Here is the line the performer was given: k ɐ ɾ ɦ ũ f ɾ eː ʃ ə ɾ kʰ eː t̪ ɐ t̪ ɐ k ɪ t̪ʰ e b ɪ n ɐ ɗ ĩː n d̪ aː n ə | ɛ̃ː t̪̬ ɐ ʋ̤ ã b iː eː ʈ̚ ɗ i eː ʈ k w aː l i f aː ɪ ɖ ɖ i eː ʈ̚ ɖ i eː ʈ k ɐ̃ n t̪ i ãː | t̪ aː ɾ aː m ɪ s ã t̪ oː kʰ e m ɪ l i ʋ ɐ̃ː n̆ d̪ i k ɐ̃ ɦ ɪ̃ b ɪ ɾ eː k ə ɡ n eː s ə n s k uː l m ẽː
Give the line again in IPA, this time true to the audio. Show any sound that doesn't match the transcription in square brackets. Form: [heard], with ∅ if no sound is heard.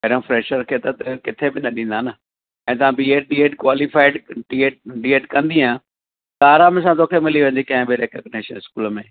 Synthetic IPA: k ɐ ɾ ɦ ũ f ɾ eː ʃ ə ɾ kʰ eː t̪ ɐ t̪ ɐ k ɪ t̪ʰ e b ɪ n ɐ ɗ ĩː n d̪ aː n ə | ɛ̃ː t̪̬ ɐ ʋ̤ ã b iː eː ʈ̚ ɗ i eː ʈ k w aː l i f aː ɪ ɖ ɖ i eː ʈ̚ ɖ i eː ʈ k ɐ̃ n [d̪] i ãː | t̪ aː ɾ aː m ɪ s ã t̪ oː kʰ e m ɪ l i ʋ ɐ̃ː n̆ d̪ i k ɐ̃ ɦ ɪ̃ b ɪ ɾ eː k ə ɡ n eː [ʃ] ə n s k uː l m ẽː

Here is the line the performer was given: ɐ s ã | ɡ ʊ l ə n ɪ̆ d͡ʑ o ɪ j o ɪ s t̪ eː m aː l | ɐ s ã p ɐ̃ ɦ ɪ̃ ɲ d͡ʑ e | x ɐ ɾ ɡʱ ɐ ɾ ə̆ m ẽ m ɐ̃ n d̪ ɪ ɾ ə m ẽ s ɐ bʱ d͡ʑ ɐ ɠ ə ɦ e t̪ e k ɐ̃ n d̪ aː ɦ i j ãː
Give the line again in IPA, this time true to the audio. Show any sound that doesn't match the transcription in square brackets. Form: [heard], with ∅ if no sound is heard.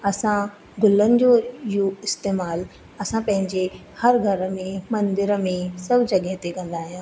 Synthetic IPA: ɐ s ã | ɡ ʊ l ə n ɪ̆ d͡ʑ o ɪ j o ɪ s t̪ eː m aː l | ɐ s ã p ɐ̃ ɦ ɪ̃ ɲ d͡ʑ e | [h] ɐ ɾ ɡʱ ɐ ɾ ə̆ m ẽ m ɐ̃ n d̪ ɪ ɾ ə m ẽ s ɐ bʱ d͡ʑ ɐ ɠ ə ɦ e t̪ e k ɐ̃ n d̪ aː ɦ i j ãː

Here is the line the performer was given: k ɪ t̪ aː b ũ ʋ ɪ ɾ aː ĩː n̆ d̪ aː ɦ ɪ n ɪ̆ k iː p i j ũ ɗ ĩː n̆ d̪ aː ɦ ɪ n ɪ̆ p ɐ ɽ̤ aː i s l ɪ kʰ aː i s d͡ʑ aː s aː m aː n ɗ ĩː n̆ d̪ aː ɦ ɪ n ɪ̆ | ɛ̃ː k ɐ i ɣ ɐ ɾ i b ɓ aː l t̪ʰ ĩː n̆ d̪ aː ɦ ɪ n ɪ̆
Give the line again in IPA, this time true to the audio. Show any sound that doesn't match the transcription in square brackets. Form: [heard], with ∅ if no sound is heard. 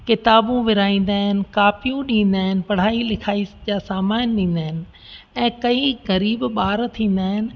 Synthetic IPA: k ɪ t̪ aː b ũ ʋ ɪ ɾ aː ĩː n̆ d̪ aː ɦ ɪ n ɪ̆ k [aː] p i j ũ ɗ ĩː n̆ d̪ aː ɦ ɪ n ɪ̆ p ɐ ɽ̤ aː i [∅] l ɪ kʰ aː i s d͡ʑ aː s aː m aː n ɗ ĩː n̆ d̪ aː ɦ ɪ n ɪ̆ | ɛ̃ː k ɐ i ɣ ɐ ɾ [iː] b ɓ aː [ɾ] t̪ʰ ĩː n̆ d̪ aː ɦ ɪ n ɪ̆

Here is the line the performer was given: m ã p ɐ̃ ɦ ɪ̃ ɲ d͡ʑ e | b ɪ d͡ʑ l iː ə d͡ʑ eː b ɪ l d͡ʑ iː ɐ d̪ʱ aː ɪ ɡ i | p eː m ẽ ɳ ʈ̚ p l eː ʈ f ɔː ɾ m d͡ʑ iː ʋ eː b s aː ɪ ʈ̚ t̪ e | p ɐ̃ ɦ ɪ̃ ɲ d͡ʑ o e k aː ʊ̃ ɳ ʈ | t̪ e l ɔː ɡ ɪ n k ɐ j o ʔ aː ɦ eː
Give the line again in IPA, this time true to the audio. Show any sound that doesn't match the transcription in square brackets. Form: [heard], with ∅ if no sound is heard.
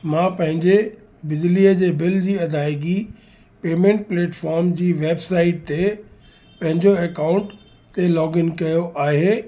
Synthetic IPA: m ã p ɐ̃ ɦ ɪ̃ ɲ d͡ʑ e | b ɪ d͡ʑ l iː ə d͡ʑ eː b ɪ l d͡ʑ iː ɐ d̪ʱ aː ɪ ɡ i | p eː m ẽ ɳ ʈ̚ p l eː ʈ f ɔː ɾ m d͡ʑ iː ʋ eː b s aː ɪ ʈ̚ t̪ e | p ɐ̃ ɦ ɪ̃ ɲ d͡ʑ o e k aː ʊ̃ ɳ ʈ | t̪ e l ɔː ɡ ɪ n k ɐ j o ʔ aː ɦ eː

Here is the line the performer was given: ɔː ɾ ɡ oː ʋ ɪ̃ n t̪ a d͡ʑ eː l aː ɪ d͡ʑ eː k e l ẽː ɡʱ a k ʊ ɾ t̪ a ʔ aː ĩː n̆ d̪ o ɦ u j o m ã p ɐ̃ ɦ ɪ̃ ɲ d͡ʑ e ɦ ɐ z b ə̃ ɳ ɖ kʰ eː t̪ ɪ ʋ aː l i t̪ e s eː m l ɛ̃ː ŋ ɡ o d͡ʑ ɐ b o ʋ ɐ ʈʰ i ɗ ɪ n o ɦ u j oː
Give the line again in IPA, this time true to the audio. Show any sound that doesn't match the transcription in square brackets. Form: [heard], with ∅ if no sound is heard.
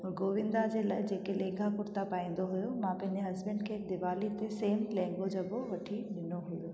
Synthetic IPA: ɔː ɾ ɡ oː ʋ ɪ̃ n [d̪] a d͡ʑ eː l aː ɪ d͡ʑ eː k e l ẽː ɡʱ a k ʊ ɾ t̪ a [p] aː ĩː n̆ d̪ o ɦ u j o m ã p ɐ̃ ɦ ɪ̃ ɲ d͡ʑ e ɦ ɐ z b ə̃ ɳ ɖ kʰ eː [d̪] ɪ ʋ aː l i t̪ e s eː m l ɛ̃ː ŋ ɡ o d͡ʑ ɐ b o ʋ ɐ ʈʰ i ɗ ɪ n o ɦ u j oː

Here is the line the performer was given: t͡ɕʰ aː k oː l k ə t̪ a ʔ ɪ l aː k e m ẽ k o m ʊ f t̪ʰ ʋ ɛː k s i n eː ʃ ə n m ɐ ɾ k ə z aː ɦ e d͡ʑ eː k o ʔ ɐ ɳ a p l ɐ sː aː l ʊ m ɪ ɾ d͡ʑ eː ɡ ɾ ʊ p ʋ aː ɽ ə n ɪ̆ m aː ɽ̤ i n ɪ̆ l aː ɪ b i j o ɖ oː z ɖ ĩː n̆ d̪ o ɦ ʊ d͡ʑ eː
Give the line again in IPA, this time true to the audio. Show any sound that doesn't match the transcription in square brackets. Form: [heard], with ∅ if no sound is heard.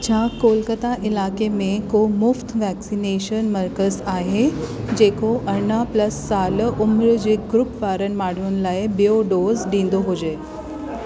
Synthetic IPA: t͡ɕʰ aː k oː l k ə t̪ a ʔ ɪ l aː k e m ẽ k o m ʊ f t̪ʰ ʋ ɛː k s i n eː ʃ ə n m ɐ ɾ k ə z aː ɦ e d͡ʑ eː k o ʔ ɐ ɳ a p l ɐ sː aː l ʊ m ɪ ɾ d͡ʑ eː ɡ ɾ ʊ p ʋ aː [ɾ] ə n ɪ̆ m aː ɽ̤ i n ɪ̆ l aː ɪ b i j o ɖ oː z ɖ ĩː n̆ d̪ o ɦ ʊ d͡ʑ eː

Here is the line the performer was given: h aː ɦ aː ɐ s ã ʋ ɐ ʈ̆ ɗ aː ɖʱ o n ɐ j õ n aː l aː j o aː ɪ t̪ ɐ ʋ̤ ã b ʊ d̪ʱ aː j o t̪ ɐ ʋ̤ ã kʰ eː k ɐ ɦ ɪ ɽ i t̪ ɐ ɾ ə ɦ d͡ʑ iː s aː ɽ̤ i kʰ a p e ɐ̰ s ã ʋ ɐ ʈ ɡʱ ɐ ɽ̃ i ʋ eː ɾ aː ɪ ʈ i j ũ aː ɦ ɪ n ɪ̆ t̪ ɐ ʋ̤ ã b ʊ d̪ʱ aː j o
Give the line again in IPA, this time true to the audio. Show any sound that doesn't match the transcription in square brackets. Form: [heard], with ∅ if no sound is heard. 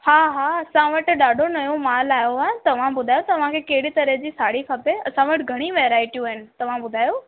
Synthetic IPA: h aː ɦ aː ɐ s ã ʋ ɐ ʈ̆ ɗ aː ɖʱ o n ɐ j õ [m] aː l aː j o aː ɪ t̪ ɐ ʋ̤ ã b ʊ d̪ʱ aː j o t̪ ɐ ʋ̤ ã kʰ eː k ɐ ɦ ɪ ɽ i t̪ ɐ ɾ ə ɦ d͡ʑ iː s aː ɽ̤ i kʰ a p e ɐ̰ s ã ʋ ɐ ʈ ɡʱ ɐ ɽ̃ i ʋ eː ɾ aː ɪ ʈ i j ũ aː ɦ ɪ n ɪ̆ t̪ ɐ ʋ̤ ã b ʊ d̪ʱ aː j o

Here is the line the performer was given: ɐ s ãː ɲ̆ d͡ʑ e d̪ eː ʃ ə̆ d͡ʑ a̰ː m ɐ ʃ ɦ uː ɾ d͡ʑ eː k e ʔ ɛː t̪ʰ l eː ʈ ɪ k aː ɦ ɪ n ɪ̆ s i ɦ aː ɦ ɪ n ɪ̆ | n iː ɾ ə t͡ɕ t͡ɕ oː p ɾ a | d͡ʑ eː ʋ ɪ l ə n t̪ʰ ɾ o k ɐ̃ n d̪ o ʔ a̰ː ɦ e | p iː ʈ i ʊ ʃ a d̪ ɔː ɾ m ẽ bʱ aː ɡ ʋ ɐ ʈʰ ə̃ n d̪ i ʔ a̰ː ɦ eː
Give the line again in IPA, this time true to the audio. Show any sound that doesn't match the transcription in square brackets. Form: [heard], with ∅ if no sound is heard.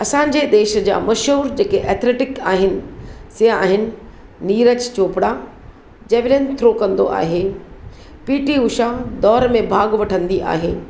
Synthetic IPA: ɐ s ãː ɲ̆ d͡ʑ e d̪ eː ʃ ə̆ d͡ʑ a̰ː m ɐ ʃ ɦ uː ɾ d͡ʑ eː k e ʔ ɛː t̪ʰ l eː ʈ ɪ k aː ɦ ɪ n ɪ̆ s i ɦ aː ɦ ɪ n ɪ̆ | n iː ɾ ə t͡ɕ t͡ɕ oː p [ɽ] a | d͡ʑ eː ʋ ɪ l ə n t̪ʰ ɾ o k ɐ̃ n d̪ o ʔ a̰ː ɦ e | p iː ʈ i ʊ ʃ a d̪ ɔː ɾ m ẽ bʱ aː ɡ ʋ ɐ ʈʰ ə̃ n d̪ i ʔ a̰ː ɦ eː

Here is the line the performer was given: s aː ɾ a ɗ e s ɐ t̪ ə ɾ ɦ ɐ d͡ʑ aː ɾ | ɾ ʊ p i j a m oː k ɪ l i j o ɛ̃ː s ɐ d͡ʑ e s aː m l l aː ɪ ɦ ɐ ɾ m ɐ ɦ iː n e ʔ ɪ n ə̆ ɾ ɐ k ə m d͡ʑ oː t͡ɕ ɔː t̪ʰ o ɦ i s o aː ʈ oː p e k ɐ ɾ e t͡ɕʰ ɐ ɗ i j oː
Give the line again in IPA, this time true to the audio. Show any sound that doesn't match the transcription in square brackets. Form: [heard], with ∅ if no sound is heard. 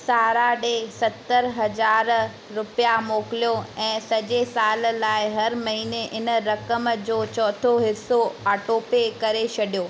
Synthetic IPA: s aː ɾ a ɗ e s ɐ t̪ ə ɾ ɦ ɐ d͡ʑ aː ɾ | ɾ ʊ p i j a m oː k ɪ l i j o ɛ̃ː s ɐ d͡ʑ e s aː [∅] l l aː ɪ ɦ ɐ ɾ m ɐ ɦ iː n e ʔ ɪ n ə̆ ɾ ɐ k ə m d͡ʑ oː t͡ɕ ɔː t̪ʰ o ɦ [ɪ] s o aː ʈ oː p e k ɐ ɾ e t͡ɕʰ ɐ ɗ i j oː

